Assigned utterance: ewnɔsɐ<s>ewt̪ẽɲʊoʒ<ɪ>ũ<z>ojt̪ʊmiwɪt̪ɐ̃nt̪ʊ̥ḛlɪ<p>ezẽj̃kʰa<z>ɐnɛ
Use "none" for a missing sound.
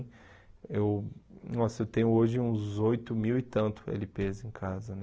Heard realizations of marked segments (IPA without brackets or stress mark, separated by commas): none, ɪ, z, p, z